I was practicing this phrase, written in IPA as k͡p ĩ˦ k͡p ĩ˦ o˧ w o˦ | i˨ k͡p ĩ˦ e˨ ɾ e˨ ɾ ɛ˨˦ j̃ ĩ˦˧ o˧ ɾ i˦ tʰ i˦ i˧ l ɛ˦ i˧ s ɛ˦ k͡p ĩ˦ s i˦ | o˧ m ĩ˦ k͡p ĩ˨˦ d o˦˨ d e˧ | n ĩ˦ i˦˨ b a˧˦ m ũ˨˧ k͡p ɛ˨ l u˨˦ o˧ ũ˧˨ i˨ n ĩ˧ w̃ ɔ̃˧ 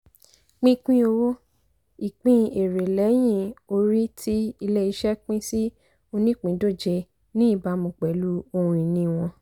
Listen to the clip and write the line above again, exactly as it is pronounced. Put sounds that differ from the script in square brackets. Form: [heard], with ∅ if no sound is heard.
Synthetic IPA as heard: k͡p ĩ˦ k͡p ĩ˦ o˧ w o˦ | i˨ k͡p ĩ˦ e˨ ɾ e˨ [l] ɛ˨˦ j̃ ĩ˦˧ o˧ ɾ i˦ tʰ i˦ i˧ l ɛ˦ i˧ [ʃ] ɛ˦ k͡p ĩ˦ s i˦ | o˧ [n] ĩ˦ k͡p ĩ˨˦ d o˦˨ [d͡ʒ] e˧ | n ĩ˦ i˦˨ b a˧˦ m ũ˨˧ k͡p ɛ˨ l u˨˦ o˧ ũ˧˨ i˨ n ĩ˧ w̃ ɔ̃˧

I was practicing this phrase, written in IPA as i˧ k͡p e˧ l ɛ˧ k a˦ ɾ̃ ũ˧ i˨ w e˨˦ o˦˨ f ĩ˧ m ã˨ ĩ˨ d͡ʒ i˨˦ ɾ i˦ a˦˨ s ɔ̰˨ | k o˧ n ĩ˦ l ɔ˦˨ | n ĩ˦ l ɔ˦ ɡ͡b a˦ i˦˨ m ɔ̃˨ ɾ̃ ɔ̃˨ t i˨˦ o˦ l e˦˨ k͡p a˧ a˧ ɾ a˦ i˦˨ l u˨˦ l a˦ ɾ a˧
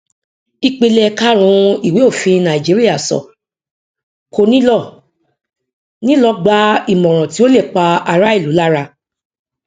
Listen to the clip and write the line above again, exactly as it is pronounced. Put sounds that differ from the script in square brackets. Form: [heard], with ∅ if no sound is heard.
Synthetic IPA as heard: i˧ k͡p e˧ l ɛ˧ k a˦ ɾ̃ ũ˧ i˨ w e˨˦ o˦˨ f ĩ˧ [n] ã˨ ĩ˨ d͡ʒ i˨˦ ɾ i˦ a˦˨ s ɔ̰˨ | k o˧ n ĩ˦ l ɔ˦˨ | n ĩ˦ l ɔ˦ ɡ͡b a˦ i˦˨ m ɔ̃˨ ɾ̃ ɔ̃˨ t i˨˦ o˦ l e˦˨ k͡p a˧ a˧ ɾ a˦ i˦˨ l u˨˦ l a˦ ɾ a˧

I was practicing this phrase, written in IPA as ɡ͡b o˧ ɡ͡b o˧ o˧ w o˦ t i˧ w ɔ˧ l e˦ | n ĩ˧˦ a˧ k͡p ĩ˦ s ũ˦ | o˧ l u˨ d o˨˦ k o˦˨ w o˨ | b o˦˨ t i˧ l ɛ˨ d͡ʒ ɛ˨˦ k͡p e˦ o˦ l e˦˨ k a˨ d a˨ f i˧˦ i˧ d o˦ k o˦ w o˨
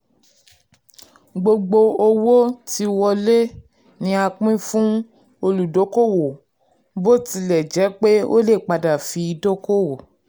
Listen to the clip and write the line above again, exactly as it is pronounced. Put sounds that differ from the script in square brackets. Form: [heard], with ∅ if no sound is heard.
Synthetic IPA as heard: ɡ͡b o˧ ɡ͡b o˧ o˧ w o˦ t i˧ w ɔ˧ l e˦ | n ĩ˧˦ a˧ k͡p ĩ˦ [f] ũ˦ | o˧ l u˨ d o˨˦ k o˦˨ w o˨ | b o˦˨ t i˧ l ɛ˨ d͡ʒ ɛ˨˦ k͡p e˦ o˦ l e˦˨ [k͡p] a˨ d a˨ f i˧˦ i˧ d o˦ k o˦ w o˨

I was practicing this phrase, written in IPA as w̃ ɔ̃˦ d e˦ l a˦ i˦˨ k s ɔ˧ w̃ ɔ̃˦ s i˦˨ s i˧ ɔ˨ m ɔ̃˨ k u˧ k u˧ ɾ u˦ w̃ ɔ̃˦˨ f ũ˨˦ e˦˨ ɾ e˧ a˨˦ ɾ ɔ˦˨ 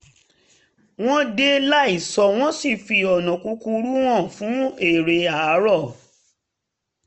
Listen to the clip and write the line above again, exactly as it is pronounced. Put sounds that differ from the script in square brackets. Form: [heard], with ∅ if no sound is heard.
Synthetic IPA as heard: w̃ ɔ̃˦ d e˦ l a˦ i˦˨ [∅] s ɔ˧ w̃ ɔ̃˦ s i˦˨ [f] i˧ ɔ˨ [n] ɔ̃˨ k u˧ k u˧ ɾ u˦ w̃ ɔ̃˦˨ f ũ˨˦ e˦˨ ɾ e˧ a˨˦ ɾ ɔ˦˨

